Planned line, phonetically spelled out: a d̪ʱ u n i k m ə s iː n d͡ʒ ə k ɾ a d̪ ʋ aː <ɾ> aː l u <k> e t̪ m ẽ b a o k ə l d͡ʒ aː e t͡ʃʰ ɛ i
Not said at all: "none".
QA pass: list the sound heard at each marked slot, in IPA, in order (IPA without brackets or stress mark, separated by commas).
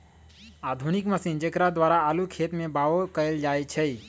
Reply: ɾ, kʰ